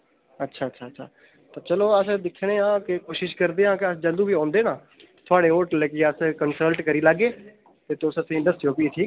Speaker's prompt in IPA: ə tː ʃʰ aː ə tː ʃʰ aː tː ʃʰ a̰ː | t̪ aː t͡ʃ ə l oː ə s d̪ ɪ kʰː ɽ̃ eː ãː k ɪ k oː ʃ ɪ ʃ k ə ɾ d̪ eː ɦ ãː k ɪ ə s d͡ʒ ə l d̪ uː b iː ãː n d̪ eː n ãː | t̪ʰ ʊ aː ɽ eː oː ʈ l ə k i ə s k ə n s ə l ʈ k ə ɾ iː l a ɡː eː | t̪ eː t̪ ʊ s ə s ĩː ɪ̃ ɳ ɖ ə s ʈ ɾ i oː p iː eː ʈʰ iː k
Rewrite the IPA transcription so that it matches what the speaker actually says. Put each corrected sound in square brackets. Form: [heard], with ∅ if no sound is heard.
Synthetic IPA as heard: ə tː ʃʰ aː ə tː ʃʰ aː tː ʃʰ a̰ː | t̪ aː t͡ʃ ə l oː ə s d̪ ɪ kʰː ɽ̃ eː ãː k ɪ k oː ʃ ɪ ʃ k ə ɾ d̪ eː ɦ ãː k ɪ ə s d͡ʒ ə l d̪ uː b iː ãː n d̪ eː n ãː | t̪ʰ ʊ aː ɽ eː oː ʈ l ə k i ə s k ə n s ə l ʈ k ə ɾ iː l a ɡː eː | t̪ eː t̪ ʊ s ə s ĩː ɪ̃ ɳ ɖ ə s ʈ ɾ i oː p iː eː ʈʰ iː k